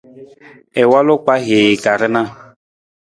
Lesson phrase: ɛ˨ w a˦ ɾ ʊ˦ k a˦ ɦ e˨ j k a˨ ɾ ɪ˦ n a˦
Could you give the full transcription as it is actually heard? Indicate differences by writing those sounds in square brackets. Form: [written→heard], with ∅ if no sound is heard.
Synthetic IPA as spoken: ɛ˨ w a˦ [ɾ→l] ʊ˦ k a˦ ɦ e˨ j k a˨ ɾ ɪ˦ n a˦